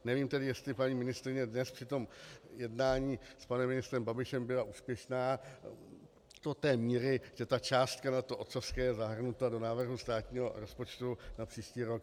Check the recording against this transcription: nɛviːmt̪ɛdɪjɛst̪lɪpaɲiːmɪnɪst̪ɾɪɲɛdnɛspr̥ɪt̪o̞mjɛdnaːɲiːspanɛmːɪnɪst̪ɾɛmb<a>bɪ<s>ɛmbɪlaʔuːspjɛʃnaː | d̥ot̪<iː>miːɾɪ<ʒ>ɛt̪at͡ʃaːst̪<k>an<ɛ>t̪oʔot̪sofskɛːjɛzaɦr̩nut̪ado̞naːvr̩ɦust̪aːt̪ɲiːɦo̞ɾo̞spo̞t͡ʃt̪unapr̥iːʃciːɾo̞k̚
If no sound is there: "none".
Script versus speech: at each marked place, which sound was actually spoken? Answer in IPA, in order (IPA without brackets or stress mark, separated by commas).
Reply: a, ʃ, ɛː, ʒ, k, a